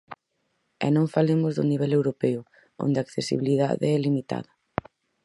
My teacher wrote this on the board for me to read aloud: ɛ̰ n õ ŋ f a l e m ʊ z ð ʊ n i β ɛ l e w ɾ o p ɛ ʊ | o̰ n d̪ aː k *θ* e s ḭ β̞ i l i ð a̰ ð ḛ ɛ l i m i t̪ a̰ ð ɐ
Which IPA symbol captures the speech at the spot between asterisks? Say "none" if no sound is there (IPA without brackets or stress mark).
θ